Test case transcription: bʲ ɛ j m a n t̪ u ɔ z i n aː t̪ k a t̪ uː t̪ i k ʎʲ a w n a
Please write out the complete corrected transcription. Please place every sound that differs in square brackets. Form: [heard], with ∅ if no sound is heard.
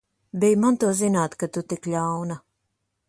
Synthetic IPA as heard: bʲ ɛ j m a n t̪ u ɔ z i n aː t̪ k a t̪ [u] t̪ i k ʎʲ a w n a